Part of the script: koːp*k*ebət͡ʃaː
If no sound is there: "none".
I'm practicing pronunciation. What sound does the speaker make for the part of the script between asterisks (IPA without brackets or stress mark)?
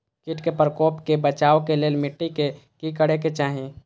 k